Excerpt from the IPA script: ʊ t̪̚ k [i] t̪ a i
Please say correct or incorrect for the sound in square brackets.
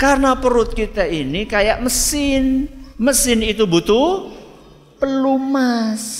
correct